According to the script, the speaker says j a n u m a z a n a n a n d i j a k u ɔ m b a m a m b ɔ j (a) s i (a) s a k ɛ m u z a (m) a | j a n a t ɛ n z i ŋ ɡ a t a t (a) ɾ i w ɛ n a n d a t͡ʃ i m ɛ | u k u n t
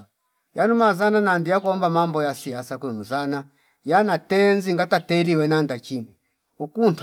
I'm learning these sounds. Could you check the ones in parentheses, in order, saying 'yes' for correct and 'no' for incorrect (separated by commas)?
yes, yes, no, no